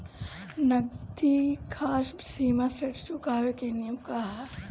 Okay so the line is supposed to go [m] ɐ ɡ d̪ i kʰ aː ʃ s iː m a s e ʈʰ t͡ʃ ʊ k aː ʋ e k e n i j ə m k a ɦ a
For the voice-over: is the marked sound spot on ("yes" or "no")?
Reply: no